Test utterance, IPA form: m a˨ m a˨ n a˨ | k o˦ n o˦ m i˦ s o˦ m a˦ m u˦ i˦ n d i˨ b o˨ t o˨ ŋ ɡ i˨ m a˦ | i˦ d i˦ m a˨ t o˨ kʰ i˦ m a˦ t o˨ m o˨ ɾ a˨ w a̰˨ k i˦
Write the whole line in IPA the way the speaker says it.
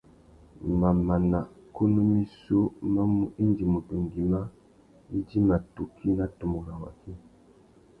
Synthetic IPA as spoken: m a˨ m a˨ n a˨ | k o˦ n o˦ m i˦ s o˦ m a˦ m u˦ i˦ n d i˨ m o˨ t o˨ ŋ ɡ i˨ m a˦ | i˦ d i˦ m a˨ t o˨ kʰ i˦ n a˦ t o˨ m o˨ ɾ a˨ w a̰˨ k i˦